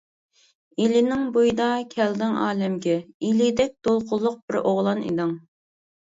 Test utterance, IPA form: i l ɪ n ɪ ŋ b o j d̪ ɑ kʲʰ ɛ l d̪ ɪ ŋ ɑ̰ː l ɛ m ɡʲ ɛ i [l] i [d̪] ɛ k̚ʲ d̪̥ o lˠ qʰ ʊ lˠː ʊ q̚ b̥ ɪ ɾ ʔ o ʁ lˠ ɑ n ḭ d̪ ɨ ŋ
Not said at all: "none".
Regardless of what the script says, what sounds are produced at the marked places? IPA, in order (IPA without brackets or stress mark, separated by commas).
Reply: l, d̪